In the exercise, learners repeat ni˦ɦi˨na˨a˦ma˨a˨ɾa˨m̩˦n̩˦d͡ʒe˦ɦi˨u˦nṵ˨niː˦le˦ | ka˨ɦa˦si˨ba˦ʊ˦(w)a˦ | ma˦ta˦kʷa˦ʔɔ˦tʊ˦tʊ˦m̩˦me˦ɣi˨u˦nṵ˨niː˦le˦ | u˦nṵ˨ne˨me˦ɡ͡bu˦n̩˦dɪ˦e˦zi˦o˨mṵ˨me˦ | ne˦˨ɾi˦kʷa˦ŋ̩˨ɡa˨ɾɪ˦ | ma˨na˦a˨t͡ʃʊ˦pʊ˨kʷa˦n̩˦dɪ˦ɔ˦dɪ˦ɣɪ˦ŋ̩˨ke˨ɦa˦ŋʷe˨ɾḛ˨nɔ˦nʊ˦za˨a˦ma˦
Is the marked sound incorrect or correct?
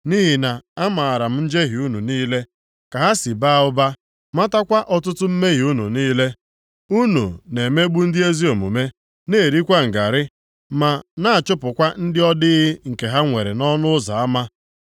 incorrect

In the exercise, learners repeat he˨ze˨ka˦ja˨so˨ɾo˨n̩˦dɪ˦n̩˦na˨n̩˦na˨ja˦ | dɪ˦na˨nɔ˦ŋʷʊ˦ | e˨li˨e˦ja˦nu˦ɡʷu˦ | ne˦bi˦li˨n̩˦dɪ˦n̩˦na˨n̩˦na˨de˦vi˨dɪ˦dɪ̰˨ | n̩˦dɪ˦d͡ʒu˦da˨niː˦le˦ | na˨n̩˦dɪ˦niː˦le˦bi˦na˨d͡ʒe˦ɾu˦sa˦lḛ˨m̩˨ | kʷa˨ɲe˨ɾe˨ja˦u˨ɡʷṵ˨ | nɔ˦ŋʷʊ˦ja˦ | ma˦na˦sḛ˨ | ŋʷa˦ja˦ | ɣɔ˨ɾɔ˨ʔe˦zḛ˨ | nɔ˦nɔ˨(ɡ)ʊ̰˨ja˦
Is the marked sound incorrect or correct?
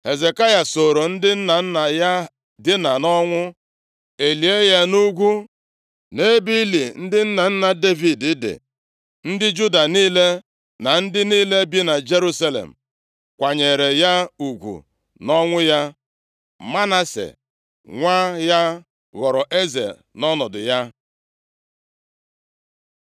incorrect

